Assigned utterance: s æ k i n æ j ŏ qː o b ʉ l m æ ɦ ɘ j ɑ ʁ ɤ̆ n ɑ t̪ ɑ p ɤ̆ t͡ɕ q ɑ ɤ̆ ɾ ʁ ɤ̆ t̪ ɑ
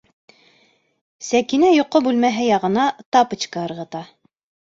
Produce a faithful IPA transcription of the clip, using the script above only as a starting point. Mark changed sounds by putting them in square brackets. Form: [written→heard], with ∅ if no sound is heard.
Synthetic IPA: s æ k i n æ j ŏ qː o b ʉ l m æ ɦ ɘ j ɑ ʁ ɤ̆ n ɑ t̪ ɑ p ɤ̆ t͡ɕ [q→k] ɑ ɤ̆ ɾ ʁ ɤ̆ t̪ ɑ